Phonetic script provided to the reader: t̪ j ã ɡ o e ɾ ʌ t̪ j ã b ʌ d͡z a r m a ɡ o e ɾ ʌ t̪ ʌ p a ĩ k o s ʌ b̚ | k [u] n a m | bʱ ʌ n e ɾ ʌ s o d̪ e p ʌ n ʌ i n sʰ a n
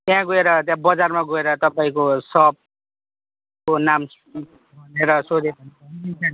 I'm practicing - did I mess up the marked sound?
yes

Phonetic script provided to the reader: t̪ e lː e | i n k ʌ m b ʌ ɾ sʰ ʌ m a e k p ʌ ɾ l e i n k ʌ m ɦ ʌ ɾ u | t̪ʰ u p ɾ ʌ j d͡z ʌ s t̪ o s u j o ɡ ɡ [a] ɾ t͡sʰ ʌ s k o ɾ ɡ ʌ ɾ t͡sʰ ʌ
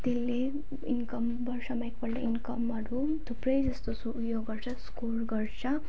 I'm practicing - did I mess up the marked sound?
yes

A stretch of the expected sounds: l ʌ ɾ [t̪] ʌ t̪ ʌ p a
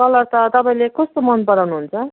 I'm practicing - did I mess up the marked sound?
no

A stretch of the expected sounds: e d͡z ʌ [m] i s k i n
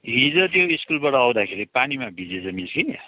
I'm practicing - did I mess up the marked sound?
no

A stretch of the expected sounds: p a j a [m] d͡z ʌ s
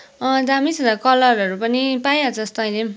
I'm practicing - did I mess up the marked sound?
yes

